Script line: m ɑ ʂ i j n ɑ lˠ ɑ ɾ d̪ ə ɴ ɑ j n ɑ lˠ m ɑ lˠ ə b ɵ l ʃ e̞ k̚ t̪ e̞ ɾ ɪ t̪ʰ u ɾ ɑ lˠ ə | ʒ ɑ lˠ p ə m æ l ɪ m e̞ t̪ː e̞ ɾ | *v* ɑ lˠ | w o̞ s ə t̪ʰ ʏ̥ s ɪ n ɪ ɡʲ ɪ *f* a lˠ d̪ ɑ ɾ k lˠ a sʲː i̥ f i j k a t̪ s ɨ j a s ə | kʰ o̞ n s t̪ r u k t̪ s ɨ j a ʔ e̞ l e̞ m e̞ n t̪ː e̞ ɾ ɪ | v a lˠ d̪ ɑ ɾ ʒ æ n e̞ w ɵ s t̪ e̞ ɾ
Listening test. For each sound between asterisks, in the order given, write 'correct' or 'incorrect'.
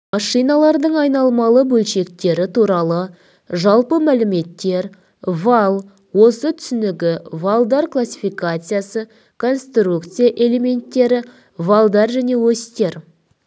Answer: correct, incorrect

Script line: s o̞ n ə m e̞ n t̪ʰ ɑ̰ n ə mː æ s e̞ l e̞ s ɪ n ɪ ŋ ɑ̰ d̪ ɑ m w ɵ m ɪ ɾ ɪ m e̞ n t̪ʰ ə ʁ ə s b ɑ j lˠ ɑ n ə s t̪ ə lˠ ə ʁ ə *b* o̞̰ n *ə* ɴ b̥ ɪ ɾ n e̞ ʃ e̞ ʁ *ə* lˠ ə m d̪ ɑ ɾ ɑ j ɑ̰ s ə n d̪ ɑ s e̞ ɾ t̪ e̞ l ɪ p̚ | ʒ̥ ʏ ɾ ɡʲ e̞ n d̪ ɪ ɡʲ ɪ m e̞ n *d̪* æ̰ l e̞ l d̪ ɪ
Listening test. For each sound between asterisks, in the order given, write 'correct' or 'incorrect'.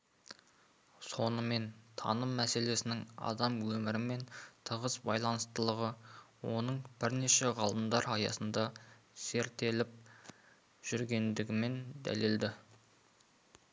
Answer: incorrect, correct, incorrect, correct

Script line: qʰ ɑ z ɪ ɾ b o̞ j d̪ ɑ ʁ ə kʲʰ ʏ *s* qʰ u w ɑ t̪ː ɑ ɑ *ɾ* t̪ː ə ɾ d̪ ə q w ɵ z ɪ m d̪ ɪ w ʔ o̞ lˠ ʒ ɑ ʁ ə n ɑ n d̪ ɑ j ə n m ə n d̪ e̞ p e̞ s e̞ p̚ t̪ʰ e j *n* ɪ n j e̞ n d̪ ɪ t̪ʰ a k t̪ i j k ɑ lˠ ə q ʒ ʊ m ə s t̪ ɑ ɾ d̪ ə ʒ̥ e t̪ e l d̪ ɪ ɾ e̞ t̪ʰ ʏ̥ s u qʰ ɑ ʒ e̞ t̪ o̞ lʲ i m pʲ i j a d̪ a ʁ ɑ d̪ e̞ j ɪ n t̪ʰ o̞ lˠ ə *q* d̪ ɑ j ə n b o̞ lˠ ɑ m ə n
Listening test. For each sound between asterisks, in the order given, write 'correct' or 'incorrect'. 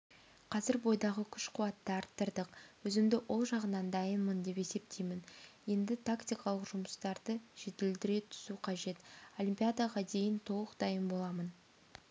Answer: incorrect, correct, incorrect, correct

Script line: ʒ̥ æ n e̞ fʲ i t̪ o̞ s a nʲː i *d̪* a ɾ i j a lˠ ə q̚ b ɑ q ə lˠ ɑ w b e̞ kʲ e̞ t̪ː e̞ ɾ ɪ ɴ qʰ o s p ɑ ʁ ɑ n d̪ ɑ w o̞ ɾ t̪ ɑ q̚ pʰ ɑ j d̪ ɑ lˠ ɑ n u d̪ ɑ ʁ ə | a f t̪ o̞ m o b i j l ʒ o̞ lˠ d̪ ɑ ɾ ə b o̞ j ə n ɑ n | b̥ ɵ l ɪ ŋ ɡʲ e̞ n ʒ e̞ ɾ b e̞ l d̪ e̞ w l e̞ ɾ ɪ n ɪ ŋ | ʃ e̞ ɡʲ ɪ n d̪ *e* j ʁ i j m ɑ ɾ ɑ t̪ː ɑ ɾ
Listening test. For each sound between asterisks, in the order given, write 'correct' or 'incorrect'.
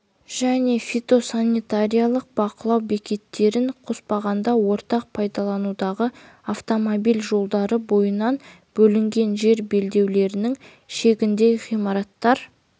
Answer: incorrect, correct

